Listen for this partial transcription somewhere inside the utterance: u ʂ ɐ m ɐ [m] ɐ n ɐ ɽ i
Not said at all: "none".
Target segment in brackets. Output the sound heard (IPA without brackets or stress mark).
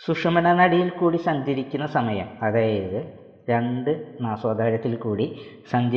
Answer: n